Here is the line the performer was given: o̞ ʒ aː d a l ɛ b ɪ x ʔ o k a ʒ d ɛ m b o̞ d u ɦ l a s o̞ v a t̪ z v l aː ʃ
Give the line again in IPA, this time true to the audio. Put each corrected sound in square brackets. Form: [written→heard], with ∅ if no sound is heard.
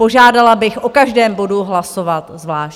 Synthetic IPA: o̞ ʒ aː d a l [ɛ→a] b ɪ x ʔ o k a ʒ d [ɛ→ɛː] m b o̞ d u ɦ l a s o̞ v a t̪ z v l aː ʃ